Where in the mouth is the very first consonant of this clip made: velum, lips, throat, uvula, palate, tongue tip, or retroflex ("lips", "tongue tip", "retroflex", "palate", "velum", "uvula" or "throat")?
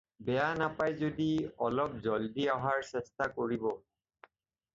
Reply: lips